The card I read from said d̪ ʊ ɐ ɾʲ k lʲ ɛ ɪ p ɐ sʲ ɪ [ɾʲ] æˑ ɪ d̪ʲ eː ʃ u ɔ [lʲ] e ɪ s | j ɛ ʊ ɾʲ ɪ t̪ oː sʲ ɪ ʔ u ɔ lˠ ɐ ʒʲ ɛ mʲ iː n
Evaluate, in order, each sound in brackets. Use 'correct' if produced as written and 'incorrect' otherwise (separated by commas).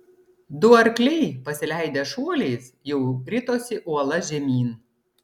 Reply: incorrect, correct